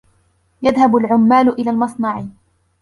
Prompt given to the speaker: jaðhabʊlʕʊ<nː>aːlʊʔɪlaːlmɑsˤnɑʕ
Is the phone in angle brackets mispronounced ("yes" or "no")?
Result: yes